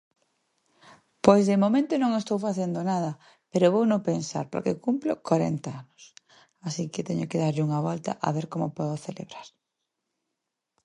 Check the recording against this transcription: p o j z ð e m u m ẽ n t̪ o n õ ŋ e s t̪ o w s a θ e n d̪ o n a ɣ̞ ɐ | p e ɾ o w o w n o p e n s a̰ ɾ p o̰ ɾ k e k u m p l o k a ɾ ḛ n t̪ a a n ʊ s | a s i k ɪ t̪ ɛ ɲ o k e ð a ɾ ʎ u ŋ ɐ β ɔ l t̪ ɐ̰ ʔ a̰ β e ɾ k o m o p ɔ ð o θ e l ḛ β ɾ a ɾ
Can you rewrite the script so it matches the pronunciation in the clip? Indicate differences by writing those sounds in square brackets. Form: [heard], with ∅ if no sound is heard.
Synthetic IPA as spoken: p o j z ð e m [o] m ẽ n t̪ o n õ ŋ e s t̪ o w [f] a θ e n d̪ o n a [ð̞] ɐ | p e ɾ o [β] o w n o p e n s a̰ ɾ p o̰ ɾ k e k u m p l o k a ɾ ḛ n t̪ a a n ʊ s | a s i k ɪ t̪ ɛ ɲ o k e ð a ɾ ʎ u ŋ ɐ β ɔ l t̪ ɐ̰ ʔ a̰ β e ɾ k o m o p ɔ ð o θ e l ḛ β ɾ a ɾ

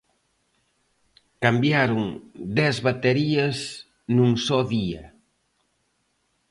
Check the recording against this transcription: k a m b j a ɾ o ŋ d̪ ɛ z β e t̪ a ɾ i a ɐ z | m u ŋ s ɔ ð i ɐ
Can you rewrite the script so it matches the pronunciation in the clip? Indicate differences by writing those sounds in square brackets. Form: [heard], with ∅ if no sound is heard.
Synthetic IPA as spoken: k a m b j a ɾ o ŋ d̪ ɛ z β [a] t̪ [e] ɾ i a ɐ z | [n] u ŋ s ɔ ð i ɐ

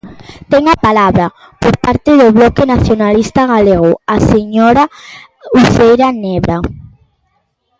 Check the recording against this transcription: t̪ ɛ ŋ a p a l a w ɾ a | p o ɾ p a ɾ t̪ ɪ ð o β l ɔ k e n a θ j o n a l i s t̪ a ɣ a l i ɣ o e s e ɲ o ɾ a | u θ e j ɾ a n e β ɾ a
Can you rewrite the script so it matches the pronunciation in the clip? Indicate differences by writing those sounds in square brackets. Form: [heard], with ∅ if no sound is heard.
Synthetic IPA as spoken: t̪ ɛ ŋ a p a l a [β] ɾ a | p o ɾ p a ɾ t̪ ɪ ð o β l ɔ k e n a θ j o n a l i s t̪ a ɣ a l [e] ɣ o [a] s e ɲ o ɾ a | u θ e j ɾ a n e β ɾ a

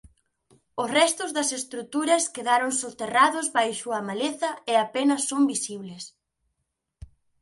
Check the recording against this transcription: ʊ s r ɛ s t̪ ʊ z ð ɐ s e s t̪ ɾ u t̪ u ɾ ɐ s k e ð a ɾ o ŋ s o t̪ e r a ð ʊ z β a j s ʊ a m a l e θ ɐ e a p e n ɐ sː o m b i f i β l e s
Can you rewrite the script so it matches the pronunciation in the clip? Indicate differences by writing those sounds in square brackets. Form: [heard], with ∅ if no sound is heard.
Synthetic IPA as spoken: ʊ s r ɛ s t̪ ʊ z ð ɐ s e s t̪ ɾ u t̪ u ɾ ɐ s k e ð a ɾ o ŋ s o t̪ e r a ð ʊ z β a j [ʃ] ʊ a m a l e θ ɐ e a p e n ɐ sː o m b i [s] i β l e s

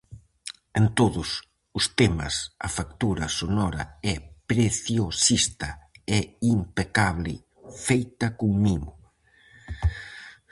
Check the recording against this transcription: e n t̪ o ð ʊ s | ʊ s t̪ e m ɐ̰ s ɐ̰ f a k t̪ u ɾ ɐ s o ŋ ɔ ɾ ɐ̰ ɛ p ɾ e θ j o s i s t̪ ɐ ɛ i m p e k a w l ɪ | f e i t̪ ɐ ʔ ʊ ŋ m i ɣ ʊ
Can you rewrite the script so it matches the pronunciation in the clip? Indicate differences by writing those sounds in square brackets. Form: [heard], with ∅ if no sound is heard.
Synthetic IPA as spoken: e n t̪ o ð ʊ s | ʊ s t̪ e m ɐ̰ s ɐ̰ f a k t̪ u ɾ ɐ s o [n] ɔ ɾ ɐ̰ ɛ p ɾ e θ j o s i s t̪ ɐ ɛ i m p e k a [β] l ɪ | f e [j] t̪ ɐ [k] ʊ ŋ m i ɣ ʊ

